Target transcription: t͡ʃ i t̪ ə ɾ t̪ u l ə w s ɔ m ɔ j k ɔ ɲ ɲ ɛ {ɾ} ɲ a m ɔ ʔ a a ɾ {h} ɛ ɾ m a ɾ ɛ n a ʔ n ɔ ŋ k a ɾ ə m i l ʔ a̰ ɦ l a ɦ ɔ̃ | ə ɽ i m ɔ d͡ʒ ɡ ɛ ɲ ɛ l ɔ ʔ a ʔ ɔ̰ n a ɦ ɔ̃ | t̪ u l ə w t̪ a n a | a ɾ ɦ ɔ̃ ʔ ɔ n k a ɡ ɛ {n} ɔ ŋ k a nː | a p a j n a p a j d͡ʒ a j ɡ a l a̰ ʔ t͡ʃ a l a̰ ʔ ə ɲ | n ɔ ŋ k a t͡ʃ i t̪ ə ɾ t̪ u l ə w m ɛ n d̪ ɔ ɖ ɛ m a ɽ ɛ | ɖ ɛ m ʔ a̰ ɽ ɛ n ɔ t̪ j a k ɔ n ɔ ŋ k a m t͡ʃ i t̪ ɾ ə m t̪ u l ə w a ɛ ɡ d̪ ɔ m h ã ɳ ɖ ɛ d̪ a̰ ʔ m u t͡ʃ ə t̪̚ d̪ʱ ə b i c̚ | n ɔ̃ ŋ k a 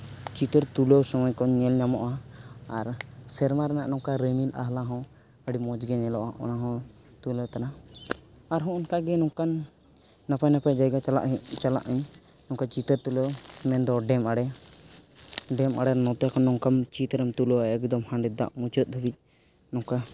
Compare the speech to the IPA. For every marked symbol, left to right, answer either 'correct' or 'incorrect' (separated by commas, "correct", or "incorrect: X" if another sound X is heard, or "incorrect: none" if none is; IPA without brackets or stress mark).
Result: incorrect: l, incorrect: s, correct